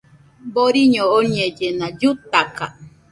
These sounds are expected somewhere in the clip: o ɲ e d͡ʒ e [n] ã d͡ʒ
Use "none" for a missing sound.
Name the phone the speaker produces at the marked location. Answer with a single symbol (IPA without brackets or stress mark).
n